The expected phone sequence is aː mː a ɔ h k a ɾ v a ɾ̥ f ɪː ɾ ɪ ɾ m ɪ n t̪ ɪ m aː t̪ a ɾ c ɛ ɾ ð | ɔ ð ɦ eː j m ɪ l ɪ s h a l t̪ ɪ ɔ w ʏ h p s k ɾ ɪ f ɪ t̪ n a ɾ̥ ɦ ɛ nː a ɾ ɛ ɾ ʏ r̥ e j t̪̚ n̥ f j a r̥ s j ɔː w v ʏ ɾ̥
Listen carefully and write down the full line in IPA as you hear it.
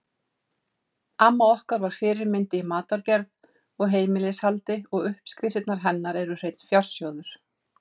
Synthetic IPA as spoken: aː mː a ɔ h k a ɾ v a ɾ̥ f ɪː ɾ ɪ ɾ m ɪ n t̪ ɪ m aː t̪ a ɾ c ɛ ɾ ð | ɔ ɣ ɦ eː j m ɪ l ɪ s h a l t̪ ɪ ɔ ɣ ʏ h p s k ɾ ɪ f ɪ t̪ n a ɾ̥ ɦ ɛ nː a ɾ ɛ ɾ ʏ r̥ e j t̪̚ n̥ f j a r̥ s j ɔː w ð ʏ ɾ̥

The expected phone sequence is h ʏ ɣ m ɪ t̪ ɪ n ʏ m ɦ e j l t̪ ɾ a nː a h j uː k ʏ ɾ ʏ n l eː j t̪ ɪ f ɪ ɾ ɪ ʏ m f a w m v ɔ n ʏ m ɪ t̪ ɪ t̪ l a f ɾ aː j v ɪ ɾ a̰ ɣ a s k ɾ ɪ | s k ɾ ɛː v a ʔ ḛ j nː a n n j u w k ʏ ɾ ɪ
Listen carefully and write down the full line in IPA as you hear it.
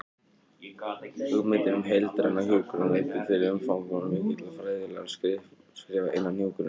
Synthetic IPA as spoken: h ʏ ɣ m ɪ t̪ ɪ n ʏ m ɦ e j l t̪ ɾ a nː a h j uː k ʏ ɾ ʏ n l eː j t̪ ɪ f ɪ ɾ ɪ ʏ m f a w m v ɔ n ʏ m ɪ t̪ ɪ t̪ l a f ɾ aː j ð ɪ l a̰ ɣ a s k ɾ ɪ | s k ɾ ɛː v a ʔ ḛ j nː a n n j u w k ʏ ɾ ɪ

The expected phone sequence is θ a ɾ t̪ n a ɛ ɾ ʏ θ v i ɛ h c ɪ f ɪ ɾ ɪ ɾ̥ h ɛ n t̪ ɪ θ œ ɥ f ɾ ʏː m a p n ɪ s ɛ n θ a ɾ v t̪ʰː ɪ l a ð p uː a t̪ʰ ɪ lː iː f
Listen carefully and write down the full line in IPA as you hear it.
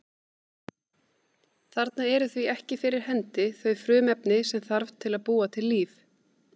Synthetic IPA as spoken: θ a ɾ t̪ n a ɛ ɾ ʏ θ v i ɛ h c ɪ f ɪ ɾ ɪ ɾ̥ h ɛ n t̪ ɪ θ œ ɥ f ɾ ʏː m ɛ p n ɪ s ɛ m θ a ɾ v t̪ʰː ɪ l a ð p uː a t̪ʰ ɪ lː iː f

